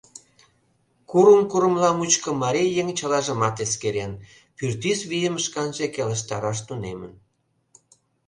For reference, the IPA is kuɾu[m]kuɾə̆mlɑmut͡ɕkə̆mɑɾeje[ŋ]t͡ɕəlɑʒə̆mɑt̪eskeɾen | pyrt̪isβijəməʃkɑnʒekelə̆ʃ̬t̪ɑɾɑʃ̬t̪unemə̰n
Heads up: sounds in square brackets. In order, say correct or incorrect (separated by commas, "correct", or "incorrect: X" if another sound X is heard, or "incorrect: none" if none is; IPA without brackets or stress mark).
correct, correct